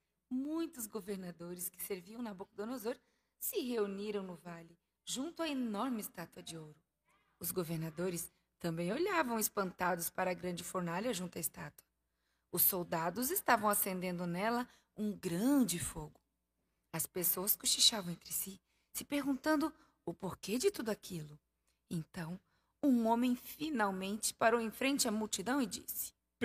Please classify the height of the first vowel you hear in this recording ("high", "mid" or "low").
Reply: high